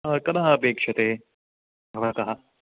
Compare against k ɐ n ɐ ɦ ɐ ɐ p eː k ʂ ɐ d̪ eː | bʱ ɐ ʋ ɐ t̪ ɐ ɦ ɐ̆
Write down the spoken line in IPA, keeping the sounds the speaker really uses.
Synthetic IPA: k ɐ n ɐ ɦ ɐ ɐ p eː k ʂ ɐ t̪ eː | bʱ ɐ ʋ ɐ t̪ ɐ ɦ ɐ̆